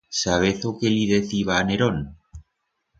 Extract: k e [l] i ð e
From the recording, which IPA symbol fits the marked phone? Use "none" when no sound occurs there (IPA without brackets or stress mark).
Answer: l